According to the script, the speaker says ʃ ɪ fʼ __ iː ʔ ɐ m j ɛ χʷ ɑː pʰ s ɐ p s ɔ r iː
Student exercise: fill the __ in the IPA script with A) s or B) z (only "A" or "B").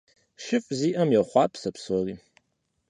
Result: B